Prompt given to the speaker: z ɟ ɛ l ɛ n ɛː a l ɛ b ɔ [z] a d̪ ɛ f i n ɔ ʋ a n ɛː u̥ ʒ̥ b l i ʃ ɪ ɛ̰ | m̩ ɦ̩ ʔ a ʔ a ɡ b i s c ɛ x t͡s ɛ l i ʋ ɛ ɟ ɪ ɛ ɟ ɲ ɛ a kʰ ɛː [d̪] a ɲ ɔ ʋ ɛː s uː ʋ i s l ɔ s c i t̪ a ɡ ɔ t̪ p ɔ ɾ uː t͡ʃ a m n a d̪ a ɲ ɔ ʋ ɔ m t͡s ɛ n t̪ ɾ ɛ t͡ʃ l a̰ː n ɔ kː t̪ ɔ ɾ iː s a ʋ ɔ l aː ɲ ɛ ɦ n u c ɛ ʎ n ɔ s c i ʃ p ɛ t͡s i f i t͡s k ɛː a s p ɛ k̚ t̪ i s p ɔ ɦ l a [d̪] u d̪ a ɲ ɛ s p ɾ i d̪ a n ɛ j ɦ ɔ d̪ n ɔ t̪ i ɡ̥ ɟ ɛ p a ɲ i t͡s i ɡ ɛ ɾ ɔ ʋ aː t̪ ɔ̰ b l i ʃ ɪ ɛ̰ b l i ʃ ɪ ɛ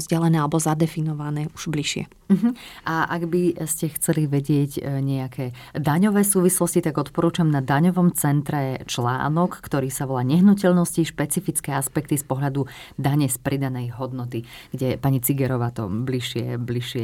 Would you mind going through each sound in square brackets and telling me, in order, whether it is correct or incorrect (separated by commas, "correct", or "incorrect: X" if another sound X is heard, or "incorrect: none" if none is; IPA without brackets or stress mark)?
correct, correct, correct